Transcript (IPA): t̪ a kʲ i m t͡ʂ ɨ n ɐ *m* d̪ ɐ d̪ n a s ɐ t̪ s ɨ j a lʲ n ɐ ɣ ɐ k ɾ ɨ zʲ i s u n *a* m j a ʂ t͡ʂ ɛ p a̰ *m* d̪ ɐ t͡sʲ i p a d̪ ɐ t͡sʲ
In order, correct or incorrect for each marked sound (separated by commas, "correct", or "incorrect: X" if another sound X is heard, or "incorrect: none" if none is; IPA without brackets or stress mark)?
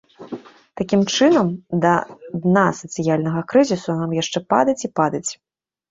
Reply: correct, correct, incorrect: none